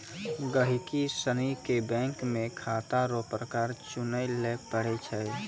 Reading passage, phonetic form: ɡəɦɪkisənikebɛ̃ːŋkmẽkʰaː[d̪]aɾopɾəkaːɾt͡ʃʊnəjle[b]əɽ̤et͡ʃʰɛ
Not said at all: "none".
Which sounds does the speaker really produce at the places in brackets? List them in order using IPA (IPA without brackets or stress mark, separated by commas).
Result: t̪, p